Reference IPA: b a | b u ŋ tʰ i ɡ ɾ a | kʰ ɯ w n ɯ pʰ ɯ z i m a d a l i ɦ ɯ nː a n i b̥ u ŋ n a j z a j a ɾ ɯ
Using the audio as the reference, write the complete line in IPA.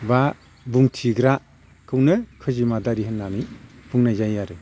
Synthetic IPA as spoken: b a | b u ŋ tʰ i ɡ ɾ a | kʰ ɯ w n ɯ kʰ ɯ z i m a d a ɾ i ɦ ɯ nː a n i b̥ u ŋ n a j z a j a ɾ ɯ